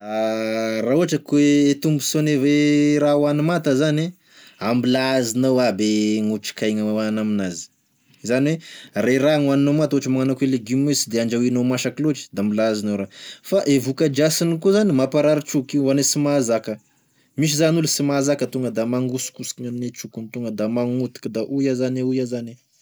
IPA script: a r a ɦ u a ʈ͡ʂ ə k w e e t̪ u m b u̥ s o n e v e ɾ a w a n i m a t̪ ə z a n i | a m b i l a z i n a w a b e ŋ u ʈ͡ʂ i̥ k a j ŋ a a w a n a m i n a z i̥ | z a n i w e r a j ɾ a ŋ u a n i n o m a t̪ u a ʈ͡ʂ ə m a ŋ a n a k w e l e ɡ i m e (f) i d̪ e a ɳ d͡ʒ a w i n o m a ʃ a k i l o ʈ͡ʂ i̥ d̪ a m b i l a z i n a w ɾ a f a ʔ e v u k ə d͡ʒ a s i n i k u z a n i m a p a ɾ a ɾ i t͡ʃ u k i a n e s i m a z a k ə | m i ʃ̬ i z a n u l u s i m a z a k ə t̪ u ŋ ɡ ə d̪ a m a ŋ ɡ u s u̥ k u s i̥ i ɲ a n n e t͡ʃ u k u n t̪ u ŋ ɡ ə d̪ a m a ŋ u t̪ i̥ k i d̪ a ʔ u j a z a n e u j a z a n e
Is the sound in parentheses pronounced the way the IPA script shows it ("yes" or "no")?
no